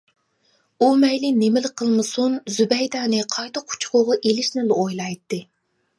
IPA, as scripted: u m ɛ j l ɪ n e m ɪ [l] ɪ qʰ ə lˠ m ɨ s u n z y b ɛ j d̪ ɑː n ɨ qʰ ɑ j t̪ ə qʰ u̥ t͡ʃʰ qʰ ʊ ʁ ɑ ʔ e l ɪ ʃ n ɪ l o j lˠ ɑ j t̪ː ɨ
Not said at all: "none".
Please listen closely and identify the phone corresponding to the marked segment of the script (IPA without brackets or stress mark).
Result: l